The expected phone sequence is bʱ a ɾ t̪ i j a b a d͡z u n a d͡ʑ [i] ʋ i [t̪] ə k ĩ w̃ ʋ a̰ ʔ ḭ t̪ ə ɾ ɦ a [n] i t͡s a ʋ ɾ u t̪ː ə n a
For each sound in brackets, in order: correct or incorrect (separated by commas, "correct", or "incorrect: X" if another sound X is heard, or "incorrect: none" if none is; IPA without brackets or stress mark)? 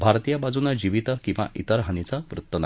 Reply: correct, correct, correct